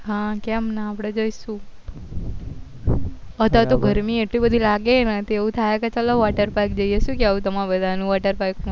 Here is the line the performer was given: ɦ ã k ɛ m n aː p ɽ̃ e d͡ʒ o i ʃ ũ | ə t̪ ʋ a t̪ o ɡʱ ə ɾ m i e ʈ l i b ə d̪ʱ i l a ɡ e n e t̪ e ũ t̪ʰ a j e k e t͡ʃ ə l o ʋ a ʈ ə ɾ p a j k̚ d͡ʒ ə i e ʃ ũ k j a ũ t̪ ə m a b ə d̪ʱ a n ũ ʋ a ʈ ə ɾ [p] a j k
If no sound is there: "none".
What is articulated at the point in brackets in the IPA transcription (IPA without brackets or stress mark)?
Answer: p